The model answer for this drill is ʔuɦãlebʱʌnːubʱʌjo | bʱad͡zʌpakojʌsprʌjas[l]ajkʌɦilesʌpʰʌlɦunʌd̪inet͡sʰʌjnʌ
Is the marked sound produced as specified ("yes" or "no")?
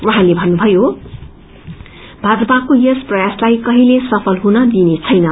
yes